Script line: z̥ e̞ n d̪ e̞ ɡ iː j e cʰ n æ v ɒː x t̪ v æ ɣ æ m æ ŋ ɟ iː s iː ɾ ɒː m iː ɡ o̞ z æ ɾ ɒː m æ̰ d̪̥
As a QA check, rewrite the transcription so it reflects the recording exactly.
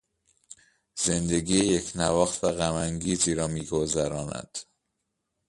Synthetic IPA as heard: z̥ e̞ n d̪ e̞ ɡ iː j e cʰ n æ v ɒː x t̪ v æ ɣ æ m æ ŋ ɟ iː z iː ɾ ɒː m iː ɡ o̞ z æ ɾ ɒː n æ̰ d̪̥